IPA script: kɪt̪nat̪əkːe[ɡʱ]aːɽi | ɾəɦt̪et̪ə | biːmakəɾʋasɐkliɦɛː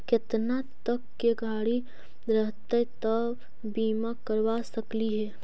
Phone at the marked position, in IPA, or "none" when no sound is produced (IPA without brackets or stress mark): ɡʱ